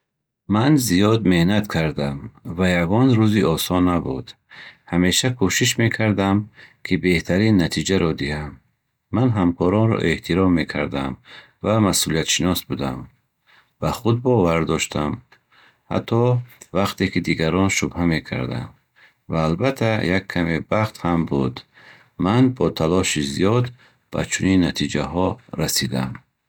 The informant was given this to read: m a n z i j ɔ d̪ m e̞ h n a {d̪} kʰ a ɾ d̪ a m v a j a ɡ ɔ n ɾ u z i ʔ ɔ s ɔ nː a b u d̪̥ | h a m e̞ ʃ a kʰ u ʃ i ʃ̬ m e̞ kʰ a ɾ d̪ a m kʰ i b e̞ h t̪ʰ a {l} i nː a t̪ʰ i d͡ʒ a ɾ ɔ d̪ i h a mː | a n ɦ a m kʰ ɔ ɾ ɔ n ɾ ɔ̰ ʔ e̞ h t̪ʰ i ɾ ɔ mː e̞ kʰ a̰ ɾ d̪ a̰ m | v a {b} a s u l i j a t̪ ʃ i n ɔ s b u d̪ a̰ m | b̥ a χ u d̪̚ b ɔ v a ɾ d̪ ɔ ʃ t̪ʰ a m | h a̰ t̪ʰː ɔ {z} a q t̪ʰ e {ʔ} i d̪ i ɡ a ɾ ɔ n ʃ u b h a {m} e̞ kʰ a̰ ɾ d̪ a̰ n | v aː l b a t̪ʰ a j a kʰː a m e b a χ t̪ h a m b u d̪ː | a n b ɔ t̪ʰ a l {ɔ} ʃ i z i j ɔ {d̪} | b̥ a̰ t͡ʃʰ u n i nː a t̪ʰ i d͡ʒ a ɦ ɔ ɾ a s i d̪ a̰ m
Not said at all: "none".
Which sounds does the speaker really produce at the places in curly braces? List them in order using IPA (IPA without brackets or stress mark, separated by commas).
t̪, ɾ, m, v, k, m, ɔ, d̪